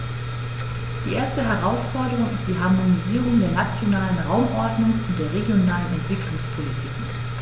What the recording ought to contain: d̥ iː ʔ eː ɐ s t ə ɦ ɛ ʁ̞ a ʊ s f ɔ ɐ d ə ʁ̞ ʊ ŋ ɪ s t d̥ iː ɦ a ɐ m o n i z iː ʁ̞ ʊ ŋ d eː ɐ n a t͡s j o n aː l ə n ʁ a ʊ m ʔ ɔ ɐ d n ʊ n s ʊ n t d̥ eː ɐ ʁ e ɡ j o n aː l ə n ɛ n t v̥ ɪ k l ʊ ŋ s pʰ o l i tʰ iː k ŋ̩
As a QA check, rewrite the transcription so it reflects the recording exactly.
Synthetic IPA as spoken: d̥ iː ʔ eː ɐ s t ə ɦ ɛ ʁ̞ a ʊ s f ɔ ɐ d ə ʁ̞ ʊ ŋ ɪ s t d̥ iː ɦ a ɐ m o n i z iː ʁ̞ ʊ ŋ d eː ɐ n a t͡s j o n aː l ə n ʁ a ʊ m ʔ ɔ ɐ d n ʊ ŋ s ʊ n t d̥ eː ɐ ʁ e ɡ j o n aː l ə n ɛ n t v̥ ɪ k l ʊ ŋ s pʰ o l i tʰ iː k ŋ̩